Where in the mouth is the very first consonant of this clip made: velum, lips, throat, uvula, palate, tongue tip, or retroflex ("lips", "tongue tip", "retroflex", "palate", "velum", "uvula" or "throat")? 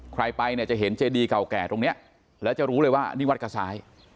velum